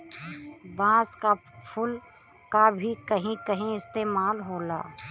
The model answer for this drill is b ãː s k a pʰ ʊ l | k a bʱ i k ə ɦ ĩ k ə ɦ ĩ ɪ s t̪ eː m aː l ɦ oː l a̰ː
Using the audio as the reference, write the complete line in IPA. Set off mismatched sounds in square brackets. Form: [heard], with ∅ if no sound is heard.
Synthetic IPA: b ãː s k a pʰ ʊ l | k a bʱ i k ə ɦ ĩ k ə ɦ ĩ ɪ s t̪ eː m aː l ɦ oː l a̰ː